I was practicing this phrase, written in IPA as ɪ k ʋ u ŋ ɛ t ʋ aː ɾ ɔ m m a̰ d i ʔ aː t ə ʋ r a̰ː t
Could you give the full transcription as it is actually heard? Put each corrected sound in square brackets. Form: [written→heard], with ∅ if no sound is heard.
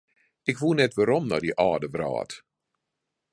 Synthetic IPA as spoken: ɪ k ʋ u [ŋ→n] ɛ t ʋ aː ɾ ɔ m [m→n] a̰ d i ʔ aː [t→d] ə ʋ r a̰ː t